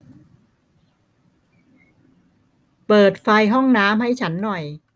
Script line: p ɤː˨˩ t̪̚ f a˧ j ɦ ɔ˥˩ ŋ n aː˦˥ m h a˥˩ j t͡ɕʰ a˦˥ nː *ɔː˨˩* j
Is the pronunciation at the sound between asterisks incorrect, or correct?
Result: incorrect